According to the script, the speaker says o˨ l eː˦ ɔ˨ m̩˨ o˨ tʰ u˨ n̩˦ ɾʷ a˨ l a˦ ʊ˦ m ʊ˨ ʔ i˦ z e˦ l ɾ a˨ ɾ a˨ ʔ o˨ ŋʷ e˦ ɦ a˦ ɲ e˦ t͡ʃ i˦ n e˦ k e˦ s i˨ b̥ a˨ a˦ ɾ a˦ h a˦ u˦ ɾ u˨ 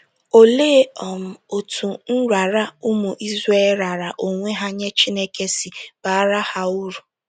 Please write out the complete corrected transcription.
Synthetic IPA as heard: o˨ l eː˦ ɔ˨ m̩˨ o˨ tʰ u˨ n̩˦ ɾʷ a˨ ɾ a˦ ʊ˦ m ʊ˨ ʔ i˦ z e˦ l ɾ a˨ ɾ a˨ ʔ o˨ ŋʷ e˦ ɦ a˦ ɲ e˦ t͡ʃ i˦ n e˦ k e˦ s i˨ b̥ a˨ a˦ ɾ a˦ h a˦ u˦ ɾ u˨